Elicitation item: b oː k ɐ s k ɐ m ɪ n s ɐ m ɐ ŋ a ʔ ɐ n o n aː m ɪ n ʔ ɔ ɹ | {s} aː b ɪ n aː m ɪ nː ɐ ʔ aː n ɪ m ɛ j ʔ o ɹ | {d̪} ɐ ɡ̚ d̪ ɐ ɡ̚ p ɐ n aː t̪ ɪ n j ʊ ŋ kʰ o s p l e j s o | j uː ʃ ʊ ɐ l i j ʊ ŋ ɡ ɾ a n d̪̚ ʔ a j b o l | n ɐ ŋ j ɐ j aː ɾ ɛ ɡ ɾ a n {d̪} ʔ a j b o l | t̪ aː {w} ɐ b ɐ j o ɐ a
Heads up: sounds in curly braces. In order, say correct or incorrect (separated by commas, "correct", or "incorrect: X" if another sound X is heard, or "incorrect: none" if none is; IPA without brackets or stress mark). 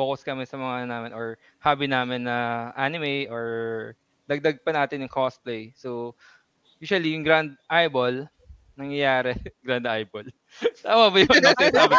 incorrect: h, correct, correct, correct